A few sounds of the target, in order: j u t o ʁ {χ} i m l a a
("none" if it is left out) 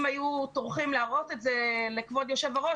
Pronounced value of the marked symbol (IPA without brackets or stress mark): χ